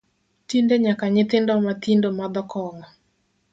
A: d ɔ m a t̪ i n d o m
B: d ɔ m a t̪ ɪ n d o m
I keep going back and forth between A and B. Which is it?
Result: A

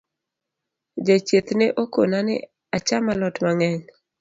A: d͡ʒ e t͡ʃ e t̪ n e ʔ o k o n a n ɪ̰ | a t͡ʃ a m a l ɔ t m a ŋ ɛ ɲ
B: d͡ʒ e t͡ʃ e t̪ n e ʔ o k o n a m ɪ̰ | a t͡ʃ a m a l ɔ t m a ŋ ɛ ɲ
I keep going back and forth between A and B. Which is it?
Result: A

